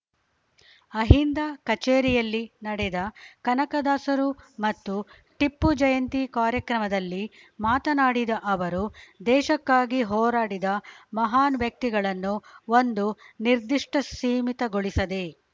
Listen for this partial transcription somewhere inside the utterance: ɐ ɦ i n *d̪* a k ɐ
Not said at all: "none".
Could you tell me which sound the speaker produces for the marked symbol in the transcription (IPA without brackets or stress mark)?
d̪